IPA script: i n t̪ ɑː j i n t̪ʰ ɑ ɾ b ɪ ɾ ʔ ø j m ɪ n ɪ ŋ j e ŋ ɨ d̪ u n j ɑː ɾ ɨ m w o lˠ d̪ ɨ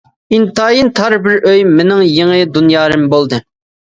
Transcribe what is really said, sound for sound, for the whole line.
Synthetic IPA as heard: i n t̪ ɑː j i n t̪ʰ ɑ ɾ b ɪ ɾ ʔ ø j m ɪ n ɪ ŋ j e ŋ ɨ d̪ u n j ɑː ɾ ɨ m b o lˠ d̪ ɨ